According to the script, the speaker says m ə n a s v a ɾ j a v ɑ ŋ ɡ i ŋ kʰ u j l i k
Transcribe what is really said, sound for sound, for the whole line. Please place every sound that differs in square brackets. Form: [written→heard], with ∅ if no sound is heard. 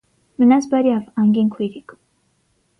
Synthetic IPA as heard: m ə n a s [v→b] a ɾ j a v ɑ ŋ ɡ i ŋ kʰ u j [l→ɾ] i k